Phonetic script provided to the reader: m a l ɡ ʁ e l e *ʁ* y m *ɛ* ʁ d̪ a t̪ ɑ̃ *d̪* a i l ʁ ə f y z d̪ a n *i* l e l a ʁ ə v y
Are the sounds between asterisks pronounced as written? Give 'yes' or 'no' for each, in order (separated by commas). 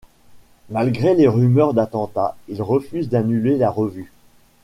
yes, no, no, no